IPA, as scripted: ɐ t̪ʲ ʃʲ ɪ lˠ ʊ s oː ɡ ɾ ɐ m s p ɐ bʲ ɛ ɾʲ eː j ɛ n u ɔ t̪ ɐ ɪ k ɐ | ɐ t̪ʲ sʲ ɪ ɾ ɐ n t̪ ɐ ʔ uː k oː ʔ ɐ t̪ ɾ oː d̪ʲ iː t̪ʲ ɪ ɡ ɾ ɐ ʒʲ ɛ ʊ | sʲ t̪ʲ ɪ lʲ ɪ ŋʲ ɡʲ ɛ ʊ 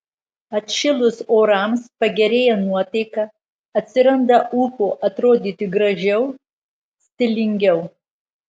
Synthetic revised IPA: ɐ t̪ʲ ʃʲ ɪ lˠ ʊ s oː ɾ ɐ m s p ɐ ɡʲ ɛ ɾʲ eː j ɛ n u ɔ t̪ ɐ ɪ k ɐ | ɐ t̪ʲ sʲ ɪ ɾ ɐ n d̪ ɐ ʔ uː k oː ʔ ɐ t̪ ɾ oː d̪ʲ iː t̪ʲ ɪ ɡ ɾ ɐ ʒʲ ɛ ʊ | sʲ t̪ʲ ɪ lʲ ɪ ŋʲ ɡʲ ɛ ʊ